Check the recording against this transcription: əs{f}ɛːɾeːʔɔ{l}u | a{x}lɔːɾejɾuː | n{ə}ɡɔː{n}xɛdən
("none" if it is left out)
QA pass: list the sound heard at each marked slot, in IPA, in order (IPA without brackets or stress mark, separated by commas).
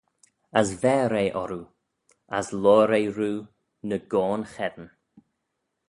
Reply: v, ɾ, s, ə, n